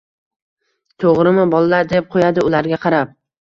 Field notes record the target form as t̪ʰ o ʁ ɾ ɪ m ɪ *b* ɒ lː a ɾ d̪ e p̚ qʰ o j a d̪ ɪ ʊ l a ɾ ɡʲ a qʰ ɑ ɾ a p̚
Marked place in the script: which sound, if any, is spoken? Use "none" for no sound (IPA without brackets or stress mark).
b